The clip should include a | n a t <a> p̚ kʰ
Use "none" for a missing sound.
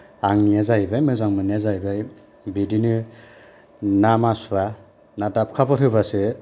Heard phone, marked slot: a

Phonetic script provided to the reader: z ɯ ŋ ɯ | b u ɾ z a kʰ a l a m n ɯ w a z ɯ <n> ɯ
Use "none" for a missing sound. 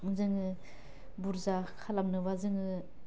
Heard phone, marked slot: ŋ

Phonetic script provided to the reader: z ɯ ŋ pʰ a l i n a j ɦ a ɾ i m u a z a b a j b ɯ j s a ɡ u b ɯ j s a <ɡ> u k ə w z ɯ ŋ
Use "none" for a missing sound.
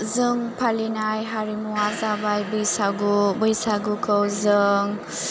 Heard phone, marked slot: ɡ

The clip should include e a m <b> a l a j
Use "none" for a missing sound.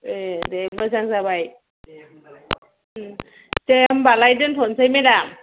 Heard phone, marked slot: b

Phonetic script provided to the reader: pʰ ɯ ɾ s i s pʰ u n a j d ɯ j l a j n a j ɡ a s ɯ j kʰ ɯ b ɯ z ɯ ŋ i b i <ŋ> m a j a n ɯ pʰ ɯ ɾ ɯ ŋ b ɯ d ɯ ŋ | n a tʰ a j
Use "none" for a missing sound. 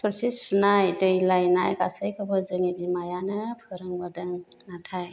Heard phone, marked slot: none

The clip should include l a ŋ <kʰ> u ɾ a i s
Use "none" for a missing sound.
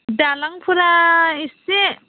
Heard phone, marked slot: pʰ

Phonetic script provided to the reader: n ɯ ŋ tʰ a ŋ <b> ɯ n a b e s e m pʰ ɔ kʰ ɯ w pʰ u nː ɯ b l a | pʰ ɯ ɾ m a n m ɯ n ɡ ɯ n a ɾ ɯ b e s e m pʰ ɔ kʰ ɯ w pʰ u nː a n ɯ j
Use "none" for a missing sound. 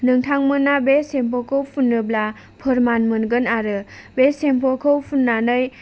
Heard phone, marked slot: m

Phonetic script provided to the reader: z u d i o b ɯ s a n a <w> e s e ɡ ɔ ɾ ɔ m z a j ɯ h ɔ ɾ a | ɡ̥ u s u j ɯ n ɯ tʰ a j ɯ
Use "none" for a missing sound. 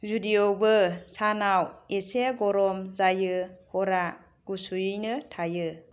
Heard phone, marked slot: w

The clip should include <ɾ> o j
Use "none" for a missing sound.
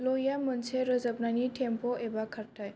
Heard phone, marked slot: l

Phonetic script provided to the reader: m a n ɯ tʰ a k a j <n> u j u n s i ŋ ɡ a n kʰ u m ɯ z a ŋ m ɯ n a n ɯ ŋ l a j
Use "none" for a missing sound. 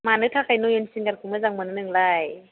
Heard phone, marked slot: n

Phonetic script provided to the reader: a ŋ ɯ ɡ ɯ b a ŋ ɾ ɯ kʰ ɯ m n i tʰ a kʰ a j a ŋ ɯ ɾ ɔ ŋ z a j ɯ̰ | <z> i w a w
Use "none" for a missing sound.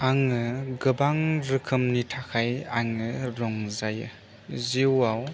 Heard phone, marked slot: z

